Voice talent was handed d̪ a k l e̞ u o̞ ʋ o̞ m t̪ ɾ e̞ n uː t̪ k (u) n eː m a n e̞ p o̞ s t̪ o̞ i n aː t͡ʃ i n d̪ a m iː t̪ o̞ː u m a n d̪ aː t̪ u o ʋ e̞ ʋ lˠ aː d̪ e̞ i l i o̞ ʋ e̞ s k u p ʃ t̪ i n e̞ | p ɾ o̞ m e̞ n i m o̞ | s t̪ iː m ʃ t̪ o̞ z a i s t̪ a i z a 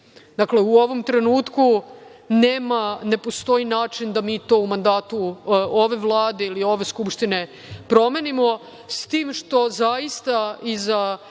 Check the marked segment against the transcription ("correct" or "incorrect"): correct